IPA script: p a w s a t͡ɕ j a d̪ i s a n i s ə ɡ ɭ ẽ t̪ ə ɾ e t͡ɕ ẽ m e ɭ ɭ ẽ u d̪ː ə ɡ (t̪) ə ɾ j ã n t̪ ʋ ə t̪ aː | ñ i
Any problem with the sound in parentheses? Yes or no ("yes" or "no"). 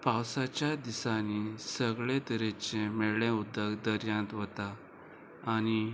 yes